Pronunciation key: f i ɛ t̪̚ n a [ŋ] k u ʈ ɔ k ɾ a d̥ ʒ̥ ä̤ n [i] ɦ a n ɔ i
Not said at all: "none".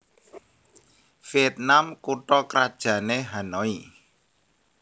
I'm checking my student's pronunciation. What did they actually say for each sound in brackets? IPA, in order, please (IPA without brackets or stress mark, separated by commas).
m, e